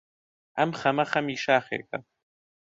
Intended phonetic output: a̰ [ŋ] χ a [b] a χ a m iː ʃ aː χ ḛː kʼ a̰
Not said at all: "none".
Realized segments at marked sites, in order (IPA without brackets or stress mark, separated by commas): m, m